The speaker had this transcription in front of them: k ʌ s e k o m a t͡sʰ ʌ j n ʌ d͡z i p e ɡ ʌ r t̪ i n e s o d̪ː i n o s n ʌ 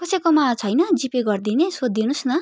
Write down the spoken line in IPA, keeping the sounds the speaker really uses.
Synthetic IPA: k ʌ s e k o m a t͡sʰ ʌ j n ʌ d͡z i p e ɡ ʌ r d̪ i n e s o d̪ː i n u s n ʌ